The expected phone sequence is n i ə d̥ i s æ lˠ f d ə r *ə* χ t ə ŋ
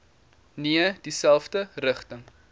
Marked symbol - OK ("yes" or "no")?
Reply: yes